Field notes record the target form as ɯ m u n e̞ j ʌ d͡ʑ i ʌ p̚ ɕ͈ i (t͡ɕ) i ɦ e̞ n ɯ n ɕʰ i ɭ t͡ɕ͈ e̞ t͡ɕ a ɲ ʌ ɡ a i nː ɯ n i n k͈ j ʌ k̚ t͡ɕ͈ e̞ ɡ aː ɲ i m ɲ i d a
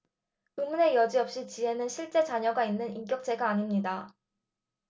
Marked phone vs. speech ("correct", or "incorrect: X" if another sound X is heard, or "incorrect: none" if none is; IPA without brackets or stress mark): correct